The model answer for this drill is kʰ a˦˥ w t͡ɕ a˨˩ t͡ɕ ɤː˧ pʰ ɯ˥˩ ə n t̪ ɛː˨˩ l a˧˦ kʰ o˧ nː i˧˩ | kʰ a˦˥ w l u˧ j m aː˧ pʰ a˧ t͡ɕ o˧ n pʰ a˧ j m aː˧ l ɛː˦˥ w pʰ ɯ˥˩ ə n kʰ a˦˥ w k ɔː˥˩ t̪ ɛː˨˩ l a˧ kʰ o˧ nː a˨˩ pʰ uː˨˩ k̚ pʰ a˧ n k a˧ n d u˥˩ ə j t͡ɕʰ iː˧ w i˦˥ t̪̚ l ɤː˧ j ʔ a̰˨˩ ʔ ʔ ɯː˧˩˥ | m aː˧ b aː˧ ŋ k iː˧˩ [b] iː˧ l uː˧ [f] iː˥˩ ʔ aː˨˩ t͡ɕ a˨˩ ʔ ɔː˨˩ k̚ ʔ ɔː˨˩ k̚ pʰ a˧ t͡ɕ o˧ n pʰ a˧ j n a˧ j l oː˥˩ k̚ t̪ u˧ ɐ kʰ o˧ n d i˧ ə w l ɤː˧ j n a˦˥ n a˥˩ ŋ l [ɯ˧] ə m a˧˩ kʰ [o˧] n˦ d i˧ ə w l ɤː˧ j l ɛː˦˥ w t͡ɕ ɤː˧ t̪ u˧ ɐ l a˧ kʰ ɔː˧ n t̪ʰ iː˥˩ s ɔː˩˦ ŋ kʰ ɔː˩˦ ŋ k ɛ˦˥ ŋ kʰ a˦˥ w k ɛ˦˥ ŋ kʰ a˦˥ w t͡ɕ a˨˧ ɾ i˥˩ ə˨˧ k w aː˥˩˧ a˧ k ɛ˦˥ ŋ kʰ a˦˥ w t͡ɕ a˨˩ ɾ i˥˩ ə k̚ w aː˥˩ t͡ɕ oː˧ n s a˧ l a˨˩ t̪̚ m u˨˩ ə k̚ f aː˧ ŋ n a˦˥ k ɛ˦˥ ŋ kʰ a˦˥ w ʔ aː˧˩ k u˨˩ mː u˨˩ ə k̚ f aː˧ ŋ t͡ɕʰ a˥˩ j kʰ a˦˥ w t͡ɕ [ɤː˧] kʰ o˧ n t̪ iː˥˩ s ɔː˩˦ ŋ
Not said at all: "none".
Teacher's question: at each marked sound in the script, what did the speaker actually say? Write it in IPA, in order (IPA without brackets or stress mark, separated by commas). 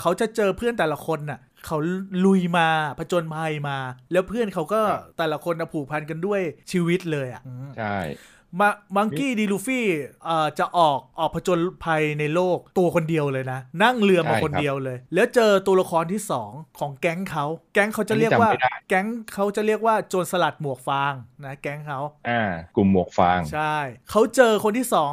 d, f, ɯ˧, o˧, ɤː˧